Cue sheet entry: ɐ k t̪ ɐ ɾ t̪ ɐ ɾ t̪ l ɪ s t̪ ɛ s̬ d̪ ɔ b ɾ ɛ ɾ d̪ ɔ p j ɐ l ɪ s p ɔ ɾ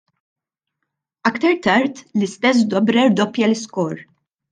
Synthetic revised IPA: ɐ k t̪ ɐ ɾ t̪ ɐ ɾ t̪ l ɪ s t̪ ɛ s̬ d̪ ɔ b ɾ ɛ ɾ d̪ ɔ p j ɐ l ɪ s k ɔ ɾ